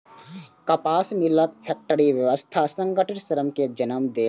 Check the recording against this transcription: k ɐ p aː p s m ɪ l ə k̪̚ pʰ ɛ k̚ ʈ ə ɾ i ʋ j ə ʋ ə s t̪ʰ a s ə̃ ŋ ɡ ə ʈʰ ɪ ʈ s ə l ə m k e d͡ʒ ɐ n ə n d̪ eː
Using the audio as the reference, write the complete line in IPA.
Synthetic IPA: k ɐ p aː s m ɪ l ə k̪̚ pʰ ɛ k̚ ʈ ə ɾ i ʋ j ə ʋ ə s t̪ʰ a s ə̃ ŋ ɡ ə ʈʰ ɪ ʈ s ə ɾ ə m k e d͡ʒ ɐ n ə m d̪ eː